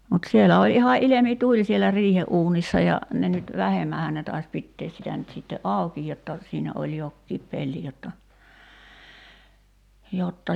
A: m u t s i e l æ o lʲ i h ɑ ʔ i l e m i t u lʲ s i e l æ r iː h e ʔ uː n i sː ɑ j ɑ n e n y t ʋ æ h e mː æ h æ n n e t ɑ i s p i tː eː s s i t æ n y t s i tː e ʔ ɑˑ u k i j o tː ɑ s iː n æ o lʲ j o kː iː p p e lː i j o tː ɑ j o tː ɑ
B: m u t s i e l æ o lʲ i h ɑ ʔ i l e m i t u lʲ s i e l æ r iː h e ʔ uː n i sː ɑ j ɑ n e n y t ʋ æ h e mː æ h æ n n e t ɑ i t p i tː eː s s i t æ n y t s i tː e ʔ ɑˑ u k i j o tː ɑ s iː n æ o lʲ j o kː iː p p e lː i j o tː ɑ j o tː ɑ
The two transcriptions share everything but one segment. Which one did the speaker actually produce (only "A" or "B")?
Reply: A